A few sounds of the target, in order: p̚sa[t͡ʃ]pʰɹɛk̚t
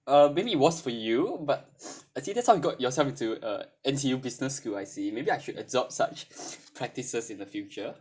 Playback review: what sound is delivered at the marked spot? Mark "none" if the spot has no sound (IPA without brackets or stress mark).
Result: t͡ʃ